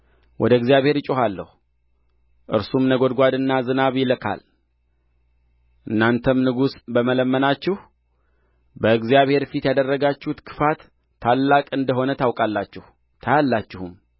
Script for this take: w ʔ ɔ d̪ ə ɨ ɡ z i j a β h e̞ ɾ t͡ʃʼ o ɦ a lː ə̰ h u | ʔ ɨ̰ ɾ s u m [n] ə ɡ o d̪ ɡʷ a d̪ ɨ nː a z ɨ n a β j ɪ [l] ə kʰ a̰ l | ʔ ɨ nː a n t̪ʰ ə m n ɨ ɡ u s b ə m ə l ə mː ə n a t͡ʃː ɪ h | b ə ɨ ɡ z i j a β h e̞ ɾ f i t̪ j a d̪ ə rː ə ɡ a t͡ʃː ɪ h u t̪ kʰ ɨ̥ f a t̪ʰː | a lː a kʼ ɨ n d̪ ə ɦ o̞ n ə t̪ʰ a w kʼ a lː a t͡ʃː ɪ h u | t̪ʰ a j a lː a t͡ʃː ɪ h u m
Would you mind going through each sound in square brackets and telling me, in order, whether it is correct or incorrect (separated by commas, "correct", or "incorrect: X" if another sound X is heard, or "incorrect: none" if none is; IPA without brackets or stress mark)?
correct, correct